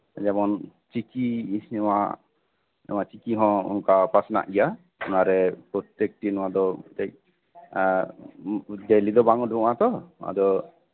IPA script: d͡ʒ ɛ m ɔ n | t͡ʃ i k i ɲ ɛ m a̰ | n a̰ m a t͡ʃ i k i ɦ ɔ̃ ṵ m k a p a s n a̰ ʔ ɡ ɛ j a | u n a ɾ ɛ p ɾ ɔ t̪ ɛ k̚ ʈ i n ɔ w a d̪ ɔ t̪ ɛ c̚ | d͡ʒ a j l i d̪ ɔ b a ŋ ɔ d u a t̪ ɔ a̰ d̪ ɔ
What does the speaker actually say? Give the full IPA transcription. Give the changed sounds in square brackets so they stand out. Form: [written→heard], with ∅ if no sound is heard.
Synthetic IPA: d͡ʒ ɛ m ɔ n | t͡ʃ i k i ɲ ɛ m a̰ | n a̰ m a t͡ʃ i k i ɦ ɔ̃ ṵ [m→n] k a p a s n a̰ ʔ ɡ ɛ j a | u n a ɾ ɛ p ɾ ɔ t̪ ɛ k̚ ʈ i n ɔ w a d̪ ɔ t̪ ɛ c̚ | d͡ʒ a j l i d̪ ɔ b a ŋ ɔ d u a t̪ ɔ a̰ d̪ ɔ

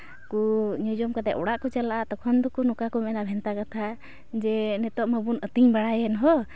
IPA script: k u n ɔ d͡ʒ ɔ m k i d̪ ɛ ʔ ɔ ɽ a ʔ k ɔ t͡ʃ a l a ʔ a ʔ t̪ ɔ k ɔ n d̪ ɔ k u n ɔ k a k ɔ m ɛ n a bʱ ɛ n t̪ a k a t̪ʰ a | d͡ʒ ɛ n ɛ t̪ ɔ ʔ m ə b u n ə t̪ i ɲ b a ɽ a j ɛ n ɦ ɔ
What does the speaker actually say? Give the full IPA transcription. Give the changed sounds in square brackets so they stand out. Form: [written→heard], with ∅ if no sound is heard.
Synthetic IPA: k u [n→ɲ] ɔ d͡ʒ ɔ m k [i→a] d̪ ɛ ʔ ɔ ɽ a ʔ k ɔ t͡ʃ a l a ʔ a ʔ t̪ ɔ [k→kʰ] ɔ n d̪ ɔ k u n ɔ k a k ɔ m ɛ n a bʱ ɛ n t̪ a k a t̪ʰ a | d͡ʒ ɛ n ɛ t̪ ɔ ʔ m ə b u n ə t̪ i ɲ b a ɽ a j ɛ n ɦ ɔ

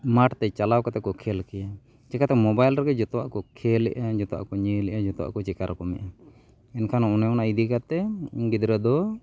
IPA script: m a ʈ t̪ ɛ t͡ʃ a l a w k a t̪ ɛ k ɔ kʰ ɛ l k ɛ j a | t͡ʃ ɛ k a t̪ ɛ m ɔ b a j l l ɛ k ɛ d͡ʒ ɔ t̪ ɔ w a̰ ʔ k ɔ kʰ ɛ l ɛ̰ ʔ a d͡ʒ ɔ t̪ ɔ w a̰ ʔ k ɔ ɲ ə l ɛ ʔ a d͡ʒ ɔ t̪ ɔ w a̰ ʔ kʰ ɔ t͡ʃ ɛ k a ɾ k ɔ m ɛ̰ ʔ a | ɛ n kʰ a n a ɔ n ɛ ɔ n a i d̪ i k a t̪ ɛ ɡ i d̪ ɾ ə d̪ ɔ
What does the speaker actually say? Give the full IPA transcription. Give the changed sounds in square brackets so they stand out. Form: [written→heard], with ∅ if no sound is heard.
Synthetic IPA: m a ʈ t̪ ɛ t͡ʃ a l a w k a t̪ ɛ k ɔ kʰ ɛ l k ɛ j a | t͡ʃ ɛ k a t̪ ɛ m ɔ b a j l [l→ɾ] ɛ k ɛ d͡ʒ ɔ t̪ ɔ w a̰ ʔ k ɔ kʰ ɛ l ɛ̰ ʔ a d͡ʒ ɔ t̪ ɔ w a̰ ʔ k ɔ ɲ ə l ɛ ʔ a d͡ʒ ɔ t̪ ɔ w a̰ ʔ [kʰ→k] ɔ t͡ʃ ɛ k a ɾ k ɔ m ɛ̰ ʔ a | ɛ n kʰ a n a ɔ n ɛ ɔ n a i d̪ i k a t̪ ɛ ɡ i d̪ ɾ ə d̪ ɔ

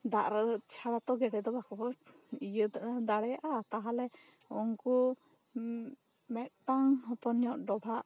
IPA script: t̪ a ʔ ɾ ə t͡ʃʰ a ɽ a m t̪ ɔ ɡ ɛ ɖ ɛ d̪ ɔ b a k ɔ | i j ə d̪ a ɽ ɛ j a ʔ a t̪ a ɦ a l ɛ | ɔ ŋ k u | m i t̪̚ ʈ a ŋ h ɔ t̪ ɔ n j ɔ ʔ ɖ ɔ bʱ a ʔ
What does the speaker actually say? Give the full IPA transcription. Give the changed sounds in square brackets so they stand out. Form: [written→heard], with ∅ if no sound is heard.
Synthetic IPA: [t̪→d̪] a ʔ ɾ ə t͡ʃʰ a ɽ a [m→∅] t̪ ɔ ɡ ɛ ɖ ɛ d̪ ɔ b a k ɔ | i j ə d̪ a ɽ ɛ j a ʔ a t̪ a ɦ a l ɛ | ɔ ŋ k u | m [i→ɛ] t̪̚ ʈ a ŋ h ɔ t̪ ɔ n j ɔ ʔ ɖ ɔ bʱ a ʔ

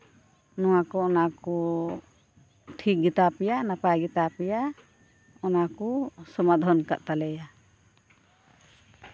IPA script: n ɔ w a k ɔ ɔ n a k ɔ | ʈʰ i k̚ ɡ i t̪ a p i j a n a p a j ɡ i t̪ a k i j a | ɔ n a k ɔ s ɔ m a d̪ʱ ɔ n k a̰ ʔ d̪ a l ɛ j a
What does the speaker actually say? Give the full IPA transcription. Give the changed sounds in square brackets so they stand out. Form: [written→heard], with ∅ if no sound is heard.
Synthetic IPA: n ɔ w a k ɔ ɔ n a k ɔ | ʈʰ i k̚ ɡ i t̪ a p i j a n a p a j ɡ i t̪ a [k→p] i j a | ɔ n a k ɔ s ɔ m a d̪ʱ ɔ n k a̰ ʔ [d̪→t̪] a l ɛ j a

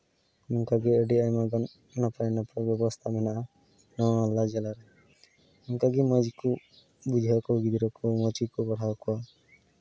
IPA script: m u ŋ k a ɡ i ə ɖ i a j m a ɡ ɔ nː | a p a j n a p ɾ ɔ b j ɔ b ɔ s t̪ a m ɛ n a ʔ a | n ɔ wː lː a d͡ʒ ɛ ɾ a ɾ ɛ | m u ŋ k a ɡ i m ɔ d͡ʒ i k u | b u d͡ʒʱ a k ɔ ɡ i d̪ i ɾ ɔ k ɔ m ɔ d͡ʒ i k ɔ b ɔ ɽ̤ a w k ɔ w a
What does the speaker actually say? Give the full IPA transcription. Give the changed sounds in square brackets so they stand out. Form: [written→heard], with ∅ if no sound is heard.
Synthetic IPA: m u ŋ k a ɡ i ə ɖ i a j m a ɡ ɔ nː | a p a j n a p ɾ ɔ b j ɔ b ɔ s [t̪→t̪ʰ] a m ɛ n a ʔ a | n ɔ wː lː a d͡ʒ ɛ [ɾ→l] a ɾ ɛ | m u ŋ k a ɡ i m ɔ d͡ʒ i k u | b u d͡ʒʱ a k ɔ ɡ i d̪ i ɾ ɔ k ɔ m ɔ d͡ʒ i k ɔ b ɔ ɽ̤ a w k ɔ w a

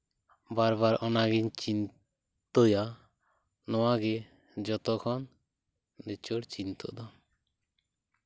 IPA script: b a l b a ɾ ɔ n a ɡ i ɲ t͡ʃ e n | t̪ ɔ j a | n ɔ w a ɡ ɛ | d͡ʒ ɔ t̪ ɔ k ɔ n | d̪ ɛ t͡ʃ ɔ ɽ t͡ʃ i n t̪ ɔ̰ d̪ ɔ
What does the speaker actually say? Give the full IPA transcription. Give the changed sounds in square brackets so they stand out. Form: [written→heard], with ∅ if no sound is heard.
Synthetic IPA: b a [l→ɾ] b a ɾ ɔ n a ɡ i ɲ t͡ʃ [e→i] n | t̪ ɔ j a | n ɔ w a ɡ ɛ | d͡ʒ ɔ t̪ ɔ [k→kʰ] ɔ n | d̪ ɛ t͡ʃ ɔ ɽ t͡ʃ i n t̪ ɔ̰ d̪ ɔ

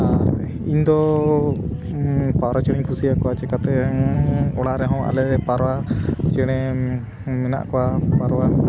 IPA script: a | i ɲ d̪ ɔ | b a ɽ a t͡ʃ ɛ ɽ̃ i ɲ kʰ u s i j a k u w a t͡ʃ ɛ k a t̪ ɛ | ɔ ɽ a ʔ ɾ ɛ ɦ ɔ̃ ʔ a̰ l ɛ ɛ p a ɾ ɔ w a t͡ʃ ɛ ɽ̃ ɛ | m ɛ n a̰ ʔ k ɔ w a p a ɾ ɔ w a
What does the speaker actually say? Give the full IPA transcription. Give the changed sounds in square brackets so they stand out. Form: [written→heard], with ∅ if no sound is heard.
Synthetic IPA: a | i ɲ d̪ ɔ | [b→p] a [ɽ→ɾ] a t͡ʃ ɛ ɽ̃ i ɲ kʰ u s i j a k [u→ɔ] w a t͡ʃ ɛ k a t̪ ɛ | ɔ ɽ a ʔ ɾ ɛ ɦ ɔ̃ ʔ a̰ l ɛ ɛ p a ɾ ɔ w a t͡ʃ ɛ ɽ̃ ɛ | m ɛ n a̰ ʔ k ɔ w a p a ɾ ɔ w a

